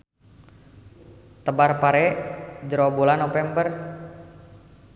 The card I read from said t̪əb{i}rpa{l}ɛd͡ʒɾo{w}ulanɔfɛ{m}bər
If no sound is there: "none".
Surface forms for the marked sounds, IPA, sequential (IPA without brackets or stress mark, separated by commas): a, ɾ, b, m